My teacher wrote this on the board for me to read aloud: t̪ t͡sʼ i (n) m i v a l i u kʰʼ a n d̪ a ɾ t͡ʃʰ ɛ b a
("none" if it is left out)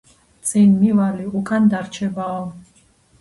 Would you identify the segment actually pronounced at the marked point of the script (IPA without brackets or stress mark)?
n